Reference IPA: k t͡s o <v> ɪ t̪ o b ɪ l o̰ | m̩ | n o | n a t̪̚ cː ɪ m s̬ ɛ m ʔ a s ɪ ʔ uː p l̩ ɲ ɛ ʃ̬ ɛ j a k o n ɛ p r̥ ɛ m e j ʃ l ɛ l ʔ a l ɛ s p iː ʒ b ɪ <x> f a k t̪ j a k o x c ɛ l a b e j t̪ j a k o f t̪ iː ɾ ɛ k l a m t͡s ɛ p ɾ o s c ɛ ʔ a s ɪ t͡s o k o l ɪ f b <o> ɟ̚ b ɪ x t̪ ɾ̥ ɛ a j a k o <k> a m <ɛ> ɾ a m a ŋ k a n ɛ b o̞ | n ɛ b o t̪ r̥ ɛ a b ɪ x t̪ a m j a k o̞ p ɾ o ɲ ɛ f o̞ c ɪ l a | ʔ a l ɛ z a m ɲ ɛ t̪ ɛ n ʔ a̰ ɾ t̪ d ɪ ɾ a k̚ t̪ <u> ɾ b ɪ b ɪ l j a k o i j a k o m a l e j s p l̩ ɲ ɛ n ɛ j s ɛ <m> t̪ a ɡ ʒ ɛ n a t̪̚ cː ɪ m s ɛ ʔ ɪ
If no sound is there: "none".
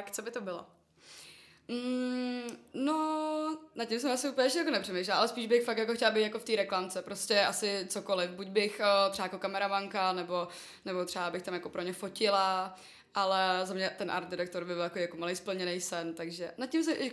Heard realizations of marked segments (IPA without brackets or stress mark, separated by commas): b, x, u, k, ɛ, o, n